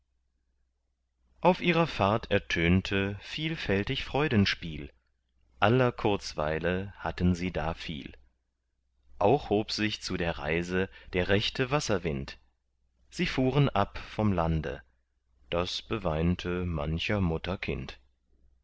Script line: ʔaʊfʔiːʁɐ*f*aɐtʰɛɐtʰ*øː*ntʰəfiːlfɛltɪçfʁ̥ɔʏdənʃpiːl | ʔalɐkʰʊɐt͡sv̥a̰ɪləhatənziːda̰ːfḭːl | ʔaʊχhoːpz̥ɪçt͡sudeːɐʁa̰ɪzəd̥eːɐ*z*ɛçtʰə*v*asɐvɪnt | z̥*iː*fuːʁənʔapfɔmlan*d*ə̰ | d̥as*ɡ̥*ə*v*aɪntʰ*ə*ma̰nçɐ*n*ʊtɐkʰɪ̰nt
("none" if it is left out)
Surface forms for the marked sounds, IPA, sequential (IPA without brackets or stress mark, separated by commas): f, øː, ʁ, v, iː, d, b̥, v, ə, m